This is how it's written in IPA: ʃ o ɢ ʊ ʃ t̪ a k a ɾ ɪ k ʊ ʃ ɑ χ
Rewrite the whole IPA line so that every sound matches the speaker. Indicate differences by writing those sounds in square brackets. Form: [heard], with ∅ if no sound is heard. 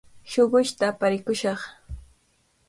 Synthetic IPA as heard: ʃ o ɢ ʊ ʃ t̪ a [p] a ɾ ɪ k ʊ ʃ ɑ χ

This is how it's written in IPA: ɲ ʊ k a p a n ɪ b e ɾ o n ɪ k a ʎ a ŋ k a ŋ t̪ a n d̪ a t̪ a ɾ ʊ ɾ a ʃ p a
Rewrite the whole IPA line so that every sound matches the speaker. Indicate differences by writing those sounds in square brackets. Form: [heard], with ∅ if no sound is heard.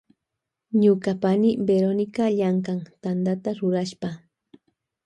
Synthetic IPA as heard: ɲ ʊ k a p a n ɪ b e ɾ o n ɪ k a ʎ a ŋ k a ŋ t̪ a n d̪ a t̪ a ɾ ʊ ɾ a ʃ p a

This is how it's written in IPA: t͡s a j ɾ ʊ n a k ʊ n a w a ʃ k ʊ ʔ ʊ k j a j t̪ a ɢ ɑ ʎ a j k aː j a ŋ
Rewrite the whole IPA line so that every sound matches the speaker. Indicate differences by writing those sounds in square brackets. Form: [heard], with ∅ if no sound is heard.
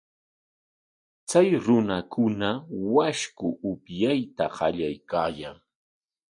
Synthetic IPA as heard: t͡s a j ɾ ʊ n a k ʊ n a w a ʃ k ʊ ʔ ʊ [p] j a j t̪ a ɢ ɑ ʎ a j k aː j a ŋ

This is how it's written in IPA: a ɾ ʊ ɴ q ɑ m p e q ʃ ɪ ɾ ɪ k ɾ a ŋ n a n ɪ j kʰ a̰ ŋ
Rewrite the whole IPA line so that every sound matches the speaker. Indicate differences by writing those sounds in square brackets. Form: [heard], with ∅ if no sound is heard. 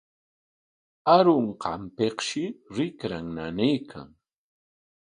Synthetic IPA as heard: a ɾ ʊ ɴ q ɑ m p e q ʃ ɪ ɾ ɪ k ɾ a ŋ n a n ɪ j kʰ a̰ ŋ

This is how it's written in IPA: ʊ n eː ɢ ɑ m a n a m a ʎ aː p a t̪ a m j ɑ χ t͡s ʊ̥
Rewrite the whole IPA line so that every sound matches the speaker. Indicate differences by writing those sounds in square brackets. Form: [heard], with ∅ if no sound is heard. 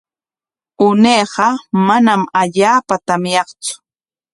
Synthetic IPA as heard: ʊ n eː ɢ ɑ m a n a m a ʎ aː p a t̪ a m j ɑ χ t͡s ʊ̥

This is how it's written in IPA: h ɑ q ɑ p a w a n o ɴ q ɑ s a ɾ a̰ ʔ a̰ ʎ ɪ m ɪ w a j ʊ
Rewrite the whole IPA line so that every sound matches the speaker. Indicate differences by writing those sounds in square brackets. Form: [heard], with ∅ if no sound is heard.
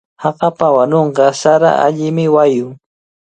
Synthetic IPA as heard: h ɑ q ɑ p a w a n o ɴ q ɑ s a ɾ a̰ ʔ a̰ ʎ ɪ m ɪ w a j ʊ

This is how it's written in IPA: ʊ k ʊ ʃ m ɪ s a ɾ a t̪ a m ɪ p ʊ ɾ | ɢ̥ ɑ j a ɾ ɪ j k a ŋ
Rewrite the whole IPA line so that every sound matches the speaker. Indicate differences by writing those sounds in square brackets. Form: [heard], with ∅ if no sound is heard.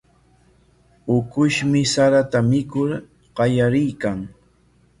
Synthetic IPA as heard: ʊ k ʊ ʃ m ɪ s a ɾ a t̪ a m ɪ [k] ʊ ɾ | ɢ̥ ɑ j a ɾ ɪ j k a ŋ

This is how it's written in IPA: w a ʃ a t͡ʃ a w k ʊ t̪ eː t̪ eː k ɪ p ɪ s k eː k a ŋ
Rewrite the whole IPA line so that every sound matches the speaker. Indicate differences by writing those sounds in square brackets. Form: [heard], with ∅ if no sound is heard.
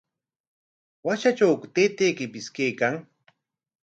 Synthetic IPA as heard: w a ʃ a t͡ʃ a w k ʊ t̪ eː t̪ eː k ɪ p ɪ s k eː k a ŋ

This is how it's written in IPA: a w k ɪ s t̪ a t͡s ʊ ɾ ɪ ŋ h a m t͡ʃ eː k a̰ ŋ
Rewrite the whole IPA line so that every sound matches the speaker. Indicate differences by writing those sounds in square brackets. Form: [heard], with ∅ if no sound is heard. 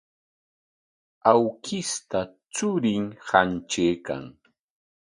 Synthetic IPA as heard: a w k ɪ s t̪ a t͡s ʊ ɾ ɪ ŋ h a [n] t͡ʃ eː k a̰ ŋ

